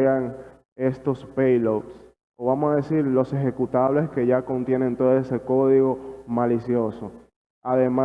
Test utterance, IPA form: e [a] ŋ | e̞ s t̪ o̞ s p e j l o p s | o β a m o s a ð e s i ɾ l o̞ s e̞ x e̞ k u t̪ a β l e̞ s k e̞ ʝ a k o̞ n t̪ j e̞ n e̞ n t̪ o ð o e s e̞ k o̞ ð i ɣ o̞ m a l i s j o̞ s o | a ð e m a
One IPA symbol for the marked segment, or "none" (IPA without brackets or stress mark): a